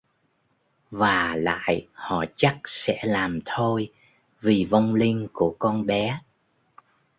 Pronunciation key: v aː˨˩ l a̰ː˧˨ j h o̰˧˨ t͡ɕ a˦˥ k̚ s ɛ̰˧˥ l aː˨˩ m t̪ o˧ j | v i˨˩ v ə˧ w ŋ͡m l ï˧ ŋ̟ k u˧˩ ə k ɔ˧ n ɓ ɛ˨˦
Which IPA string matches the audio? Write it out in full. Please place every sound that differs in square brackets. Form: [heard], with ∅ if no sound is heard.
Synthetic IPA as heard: v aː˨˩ l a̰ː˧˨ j h [ɔ̰˧˨] t͡ɕ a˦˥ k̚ s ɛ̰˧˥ l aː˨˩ m [t̪ʰ] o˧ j | v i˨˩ v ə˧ w ŋ͡m l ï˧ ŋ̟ k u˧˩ ə k ɔ˧ n ɓ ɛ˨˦